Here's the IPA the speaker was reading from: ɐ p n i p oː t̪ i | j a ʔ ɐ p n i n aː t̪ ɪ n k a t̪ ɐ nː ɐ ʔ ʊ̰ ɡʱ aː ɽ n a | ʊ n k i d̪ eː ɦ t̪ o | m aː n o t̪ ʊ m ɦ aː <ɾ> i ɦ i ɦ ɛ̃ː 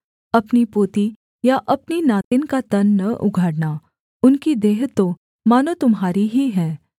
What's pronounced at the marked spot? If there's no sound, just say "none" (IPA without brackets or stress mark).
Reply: ɾ